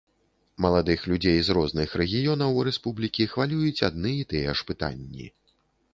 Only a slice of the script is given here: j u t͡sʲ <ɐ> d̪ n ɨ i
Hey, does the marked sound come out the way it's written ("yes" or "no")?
no